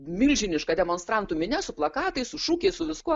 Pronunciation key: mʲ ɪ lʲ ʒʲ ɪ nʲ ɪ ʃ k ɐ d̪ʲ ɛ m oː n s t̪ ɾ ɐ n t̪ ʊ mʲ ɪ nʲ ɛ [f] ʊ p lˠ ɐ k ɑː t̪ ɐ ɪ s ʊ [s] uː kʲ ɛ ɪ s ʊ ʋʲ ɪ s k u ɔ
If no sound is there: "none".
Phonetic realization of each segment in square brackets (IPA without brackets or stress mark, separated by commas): s, ʃ